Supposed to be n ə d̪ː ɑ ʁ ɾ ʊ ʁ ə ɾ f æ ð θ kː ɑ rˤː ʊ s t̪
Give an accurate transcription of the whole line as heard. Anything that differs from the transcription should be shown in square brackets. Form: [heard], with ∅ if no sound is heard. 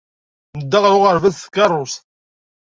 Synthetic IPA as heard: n ə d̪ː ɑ ʁ ɾ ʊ ʁ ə ɾ [v] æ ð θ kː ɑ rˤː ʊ s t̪